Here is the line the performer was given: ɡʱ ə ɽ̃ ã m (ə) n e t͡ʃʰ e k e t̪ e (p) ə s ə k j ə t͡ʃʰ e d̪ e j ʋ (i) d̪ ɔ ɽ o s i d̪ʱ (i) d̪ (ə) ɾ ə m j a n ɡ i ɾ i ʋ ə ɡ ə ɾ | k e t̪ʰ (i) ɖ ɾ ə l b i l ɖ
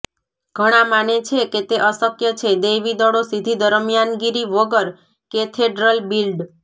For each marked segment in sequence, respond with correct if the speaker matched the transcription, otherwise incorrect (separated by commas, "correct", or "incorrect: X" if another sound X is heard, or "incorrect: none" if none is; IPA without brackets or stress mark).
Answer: incorrect: a, incorrect: ʔ, correct, correct, correct, incorrect: e